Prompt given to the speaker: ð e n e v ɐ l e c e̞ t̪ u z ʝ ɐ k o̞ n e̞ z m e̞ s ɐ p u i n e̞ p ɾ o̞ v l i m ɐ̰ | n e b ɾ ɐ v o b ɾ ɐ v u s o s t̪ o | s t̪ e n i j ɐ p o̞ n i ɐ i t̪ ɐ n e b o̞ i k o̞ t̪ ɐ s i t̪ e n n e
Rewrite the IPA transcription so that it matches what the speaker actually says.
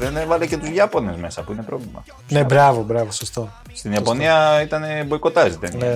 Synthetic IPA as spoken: ð e n e v ɐ l e c e̞ t̪ u z ʝ ɐ p o̞ n e̞ z m e̞ s ɐ p u i n e̞ p ɾ o̞ v l i m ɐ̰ | n e b ɾ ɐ v o b ɾ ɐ v o s o s t̪ o | s t̪ i n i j ɐ p o̞ n i ɐ i t̪ ɐ n e b o̞ i k o̞ t̪ ɐ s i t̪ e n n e